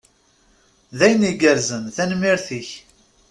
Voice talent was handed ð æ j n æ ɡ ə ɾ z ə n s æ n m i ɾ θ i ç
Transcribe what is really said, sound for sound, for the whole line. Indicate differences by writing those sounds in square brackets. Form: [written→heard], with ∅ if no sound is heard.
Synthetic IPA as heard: ð æ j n [æ→i] ɡ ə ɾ z ə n [s→θ] æ n m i ɾ θ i ç